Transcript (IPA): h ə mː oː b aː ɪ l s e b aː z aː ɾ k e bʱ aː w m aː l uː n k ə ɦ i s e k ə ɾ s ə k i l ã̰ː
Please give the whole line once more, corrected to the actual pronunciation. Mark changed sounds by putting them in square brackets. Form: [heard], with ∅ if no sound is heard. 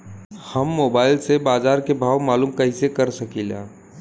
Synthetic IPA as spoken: h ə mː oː b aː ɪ l s e b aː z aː ɾ k e bʱ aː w m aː l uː [m] k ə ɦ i s e k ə ɾ s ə k i l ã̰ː